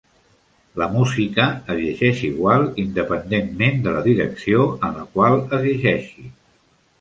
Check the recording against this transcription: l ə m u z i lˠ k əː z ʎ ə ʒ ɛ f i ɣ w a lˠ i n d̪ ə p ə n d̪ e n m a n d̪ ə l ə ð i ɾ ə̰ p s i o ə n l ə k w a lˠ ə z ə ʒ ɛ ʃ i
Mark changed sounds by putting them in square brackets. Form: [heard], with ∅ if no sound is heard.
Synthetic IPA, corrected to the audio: l ə m u z i [∅] k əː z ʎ ə ʒ ɛ [ʃ] i ɣ w a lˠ i n d̪ ə p ə n d̪ e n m [e] n d̪ ə l ə ð i ɾ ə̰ [k] s i o ə n l ə k w a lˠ ə z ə ʒ ɛ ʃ i